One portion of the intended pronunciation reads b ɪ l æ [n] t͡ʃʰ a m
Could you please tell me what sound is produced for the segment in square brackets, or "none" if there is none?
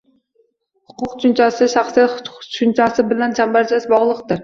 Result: n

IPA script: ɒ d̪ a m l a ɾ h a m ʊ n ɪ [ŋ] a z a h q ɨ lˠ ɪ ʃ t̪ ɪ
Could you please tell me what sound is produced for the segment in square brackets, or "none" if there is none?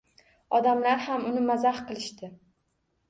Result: m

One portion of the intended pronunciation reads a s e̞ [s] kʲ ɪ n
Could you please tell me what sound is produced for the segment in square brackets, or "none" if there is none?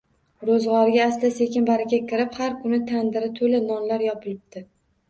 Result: none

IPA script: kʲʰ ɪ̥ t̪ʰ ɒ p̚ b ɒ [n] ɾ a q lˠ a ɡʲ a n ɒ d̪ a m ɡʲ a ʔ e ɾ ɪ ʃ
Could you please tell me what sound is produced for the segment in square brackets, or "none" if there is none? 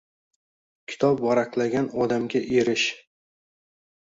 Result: none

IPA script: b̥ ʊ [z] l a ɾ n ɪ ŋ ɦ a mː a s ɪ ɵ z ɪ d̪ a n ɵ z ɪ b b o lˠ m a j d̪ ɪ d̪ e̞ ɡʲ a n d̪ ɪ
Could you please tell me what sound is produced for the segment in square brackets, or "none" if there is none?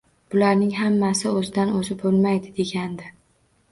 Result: none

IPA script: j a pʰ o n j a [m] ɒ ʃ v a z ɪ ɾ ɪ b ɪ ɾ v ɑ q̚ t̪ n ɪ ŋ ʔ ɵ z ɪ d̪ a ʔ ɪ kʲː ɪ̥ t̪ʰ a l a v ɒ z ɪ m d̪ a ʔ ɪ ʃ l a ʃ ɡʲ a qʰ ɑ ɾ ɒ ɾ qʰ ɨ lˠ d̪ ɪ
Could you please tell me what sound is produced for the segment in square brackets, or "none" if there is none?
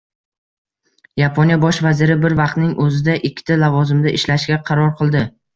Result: b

